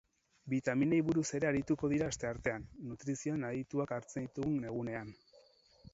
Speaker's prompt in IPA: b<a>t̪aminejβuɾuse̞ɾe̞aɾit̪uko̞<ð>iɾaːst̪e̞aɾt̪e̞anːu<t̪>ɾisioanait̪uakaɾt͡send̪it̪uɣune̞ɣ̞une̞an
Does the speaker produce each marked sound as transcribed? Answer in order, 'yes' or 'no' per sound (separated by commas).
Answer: no, yes, yes